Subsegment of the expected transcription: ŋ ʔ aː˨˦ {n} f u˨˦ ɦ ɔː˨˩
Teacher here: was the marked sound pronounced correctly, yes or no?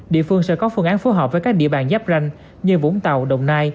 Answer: yes